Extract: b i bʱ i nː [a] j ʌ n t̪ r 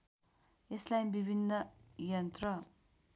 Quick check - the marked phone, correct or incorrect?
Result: incorrect